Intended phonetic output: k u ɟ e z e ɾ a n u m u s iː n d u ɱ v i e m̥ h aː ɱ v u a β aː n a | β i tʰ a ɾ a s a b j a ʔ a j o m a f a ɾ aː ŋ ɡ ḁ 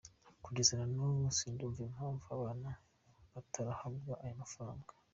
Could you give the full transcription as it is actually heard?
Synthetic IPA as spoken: k u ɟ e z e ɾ a n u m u s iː n d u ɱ v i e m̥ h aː ɱ v u a β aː n a | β a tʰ a ɾ a h a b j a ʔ a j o m a f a ɾ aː ŋ ɡ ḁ